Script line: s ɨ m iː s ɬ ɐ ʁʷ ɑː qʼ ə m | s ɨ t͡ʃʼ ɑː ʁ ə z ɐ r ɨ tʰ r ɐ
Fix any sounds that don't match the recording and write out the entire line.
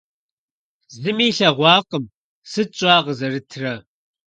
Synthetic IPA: z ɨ m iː ɬ ɐ ʁʷ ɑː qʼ ə m | s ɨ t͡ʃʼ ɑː ʁ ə z ɐ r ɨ tʰ r ɐ